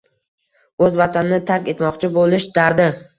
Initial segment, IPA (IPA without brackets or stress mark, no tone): ɵ